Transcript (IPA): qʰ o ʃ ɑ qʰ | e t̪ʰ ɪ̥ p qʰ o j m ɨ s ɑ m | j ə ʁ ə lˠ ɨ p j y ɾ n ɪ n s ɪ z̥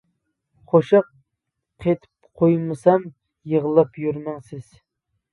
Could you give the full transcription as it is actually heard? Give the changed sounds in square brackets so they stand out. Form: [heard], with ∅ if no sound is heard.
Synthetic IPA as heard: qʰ o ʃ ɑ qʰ | e t̪ʰ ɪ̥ p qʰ o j m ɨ s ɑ m | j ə ʁ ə lˠ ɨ p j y ɾ [m] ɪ [ŋ] s ɪ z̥